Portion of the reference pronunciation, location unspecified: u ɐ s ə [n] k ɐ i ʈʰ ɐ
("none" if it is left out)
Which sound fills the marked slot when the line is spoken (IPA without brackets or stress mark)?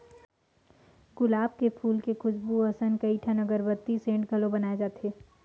n